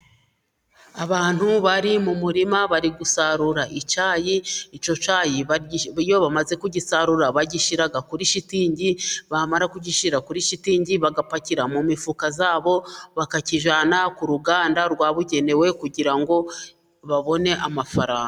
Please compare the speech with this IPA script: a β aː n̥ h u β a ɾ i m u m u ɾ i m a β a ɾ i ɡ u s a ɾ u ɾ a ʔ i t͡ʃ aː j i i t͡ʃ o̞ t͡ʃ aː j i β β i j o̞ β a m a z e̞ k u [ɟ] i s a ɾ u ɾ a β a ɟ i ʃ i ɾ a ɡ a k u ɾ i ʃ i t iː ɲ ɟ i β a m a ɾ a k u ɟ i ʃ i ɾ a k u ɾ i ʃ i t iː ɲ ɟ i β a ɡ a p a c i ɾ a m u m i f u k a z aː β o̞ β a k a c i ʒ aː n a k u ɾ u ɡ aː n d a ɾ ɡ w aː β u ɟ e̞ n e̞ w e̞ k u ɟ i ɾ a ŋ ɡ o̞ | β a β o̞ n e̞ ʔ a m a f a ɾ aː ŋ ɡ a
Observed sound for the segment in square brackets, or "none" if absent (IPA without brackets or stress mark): ɟ